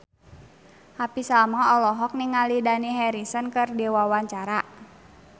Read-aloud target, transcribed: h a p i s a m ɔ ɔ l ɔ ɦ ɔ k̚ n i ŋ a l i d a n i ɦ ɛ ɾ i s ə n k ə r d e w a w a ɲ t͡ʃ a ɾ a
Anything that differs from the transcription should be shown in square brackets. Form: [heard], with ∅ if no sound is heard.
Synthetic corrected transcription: h a p i s a m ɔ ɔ l ɔ ɦ ɔ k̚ n i ŋ a l i d a n i ɦ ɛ ɾ i s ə n k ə r d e w a w a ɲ t͡ʃ a ɾ a